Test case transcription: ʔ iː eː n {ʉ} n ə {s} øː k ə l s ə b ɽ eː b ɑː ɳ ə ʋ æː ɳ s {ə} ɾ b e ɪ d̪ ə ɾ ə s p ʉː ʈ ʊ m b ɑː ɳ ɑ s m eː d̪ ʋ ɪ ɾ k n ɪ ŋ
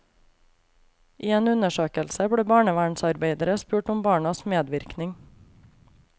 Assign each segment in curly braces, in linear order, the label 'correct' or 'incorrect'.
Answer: correct, incorrect: ʃ, incorrect: ɑ

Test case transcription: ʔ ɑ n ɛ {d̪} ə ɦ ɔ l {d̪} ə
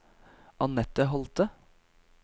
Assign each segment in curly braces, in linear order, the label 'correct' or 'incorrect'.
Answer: incorrect: t̪, incorrect: t̪

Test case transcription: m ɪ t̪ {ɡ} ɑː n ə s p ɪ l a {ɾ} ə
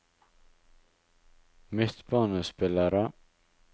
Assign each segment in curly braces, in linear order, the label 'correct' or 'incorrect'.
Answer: incorrect: b, correct

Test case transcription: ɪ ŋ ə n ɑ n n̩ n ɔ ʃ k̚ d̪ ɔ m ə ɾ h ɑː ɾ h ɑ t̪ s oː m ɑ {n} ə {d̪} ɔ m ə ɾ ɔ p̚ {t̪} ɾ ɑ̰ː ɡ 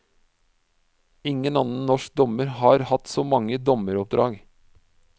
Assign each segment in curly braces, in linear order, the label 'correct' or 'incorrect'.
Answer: incorrect: ŋ, correct, incorrect: d̪

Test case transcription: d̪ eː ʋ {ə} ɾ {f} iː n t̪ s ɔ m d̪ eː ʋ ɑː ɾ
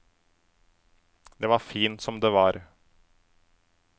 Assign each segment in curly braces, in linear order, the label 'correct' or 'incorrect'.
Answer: incorrect: ɑ, correct

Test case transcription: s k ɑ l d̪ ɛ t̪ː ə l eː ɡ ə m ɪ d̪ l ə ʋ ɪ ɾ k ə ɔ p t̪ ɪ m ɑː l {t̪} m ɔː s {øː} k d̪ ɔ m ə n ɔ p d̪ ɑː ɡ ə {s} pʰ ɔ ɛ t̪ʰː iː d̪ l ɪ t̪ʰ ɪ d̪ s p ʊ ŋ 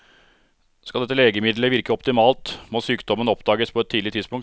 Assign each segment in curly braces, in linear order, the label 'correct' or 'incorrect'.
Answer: correct, incorrect: yː, correct

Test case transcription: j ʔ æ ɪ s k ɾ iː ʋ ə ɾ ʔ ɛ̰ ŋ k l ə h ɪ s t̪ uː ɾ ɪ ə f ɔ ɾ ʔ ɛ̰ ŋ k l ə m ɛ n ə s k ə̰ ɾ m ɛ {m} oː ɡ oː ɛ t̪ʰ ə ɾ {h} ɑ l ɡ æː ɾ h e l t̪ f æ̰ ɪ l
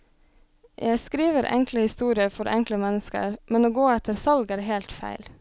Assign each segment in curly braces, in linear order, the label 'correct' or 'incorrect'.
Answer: incorrect: n, incorrect: s

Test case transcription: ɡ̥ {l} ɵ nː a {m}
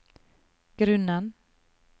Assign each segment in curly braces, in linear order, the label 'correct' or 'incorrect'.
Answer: incorrect: ɾ, incorrect: n

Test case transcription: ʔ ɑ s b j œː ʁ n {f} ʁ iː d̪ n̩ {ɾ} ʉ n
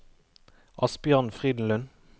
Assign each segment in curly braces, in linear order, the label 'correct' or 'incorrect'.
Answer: correct, incorrect: l

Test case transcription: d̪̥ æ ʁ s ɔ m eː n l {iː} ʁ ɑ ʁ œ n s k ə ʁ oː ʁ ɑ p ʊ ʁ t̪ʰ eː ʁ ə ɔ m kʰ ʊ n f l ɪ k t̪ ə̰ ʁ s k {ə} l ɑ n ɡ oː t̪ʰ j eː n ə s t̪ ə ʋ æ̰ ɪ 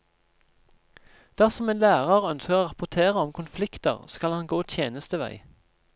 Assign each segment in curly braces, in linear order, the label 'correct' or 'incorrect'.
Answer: incorrect: æː, incorrect: ɑ

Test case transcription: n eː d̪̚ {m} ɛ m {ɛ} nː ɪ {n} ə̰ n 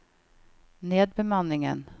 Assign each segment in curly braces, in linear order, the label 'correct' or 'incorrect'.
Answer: incorrect: b, incorrect: a, incorrect: ŋ

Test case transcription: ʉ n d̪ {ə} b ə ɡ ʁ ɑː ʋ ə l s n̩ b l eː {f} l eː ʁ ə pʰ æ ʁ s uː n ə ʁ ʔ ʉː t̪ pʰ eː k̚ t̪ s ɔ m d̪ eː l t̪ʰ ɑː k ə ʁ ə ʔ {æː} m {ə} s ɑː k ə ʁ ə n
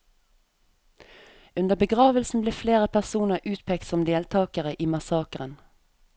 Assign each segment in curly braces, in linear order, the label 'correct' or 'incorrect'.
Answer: correct, correct, incorrect: iː, incorrect: ɑ

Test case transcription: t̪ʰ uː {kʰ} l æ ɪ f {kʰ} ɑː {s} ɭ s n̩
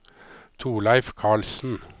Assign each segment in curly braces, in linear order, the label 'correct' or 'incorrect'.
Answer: incorrect: none, correct, incorrect: none

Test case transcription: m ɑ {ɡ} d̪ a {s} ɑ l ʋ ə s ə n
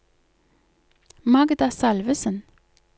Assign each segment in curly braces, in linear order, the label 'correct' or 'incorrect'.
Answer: correct, correct

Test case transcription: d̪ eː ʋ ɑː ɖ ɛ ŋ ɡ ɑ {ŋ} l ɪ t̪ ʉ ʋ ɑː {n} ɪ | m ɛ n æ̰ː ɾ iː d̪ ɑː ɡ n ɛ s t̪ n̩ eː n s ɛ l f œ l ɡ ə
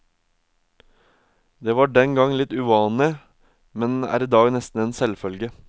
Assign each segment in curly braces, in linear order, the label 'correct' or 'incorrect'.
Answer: correct, correct

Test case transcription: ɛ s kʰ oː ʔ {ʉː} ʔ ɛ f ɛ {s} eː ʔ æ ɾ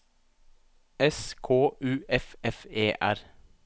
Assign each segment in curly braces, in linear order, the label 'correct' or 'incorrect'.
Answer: correct, incorrect: f

